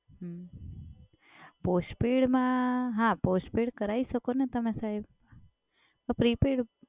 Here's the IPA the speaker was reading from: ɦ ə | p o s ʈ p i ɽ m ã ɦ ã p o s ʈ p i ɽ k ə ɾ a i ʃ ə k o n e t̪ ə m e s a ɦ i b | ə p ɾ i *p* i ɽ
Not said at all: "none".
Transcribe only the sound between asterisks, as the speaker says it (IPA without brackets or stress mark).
p